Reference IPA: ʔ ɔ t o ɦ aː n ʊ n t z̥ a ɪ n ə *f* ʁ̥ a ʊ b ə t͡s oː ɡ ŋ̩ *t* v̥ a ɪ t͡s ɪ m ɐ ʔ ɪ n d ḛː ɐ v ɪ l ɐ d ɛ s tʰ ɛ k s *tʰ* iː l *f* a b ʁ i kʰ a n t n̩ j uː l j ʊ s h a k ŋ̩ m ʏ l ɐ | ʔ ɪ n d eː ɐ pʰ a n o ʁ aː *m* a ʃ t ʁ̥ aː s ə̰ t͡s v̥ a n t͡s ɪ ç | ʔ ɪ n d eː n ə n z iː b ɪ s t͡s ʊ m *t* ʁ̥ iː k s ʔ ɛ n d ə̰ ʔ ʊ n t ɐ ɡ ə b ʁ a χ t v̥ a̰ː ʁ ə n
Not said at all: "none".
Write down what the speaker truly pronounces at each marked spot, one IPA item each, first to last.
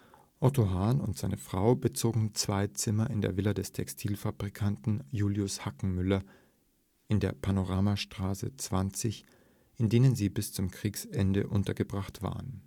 f, t͡s, tʰ, f, m, k

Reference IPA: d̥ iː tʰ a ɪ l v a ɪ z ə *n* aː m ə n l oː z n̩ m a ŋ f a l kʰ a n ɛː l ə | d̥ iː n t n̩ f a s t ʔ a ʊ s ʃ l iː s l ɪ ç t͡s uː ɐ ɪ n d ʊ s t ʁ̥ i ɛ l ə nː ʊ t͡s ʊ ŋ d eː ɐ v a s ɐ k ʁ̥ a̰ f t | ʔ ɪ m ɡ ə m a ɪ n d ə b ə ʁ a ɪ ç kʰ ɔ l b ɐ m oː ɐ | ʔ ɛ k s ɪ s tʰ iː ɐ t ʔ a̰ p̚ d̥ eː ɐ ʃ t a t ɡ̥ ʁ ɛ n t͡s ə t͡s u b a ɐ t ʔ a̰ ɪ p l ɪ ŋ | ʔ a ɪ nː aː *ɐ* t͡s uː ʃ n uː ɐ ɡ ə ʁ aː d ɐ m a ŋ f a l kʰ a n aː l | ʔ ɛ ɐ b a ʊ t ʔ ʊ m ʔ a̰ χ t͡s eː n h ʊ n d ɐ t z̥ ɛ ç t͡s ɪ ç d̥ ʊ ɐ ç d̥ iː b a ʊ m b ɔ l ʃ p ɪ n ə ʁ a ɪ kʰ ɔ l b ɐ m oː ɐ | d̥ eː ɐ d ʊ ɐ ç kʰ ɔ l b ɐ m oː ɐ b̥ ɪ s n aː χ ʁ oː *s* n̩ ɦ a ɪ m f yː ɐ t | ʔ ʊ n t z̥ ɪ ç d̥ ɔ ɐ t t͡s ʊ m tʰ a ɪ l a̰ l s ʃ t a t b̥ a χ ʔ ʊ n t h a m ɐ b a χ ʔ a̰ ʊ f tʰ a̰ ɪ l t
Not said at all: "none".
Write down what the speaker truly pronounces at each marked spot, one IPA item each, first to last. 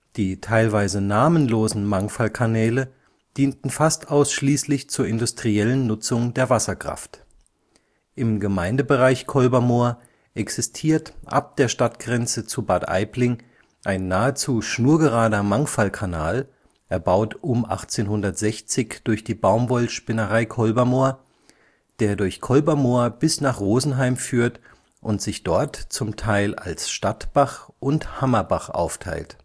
n, ə, z

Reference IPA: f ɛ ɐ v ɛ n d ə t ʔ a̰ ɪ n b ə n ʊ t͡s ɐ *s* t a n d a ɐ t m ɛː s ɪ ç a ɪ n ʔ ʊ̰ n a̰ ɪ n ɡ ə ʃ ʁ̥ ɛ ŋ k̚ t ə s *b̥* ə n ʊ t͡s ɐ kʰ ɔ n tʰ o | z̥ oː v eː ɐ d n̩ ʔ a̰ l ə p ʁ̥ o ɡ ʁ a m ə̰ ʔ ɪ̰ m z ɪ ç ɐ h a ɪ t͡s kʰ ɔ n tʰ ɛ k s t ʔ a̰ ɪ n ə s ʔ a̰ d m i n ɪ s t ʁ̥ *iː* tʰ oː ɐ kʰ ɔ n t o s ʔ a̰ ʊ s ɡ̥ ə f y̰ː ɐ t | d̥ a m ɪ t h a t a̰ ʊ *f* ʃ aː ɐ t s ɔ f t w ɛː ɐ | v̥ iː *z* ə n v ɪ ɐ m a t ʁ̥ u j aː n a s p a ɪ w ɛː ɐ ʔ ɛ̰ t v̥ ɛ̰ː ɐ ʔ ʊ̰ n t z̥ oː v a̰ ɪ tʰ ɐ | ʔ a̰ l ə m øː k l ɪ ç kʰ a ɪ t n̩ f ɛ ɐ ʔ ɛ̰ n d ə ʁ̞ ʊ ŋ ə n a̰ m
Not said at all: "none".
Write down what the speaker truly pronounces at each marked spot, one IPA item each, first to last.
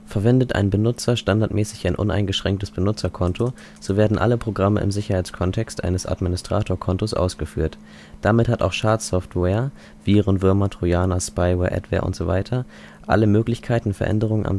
ʃ, b̥, aː, x, ʁ

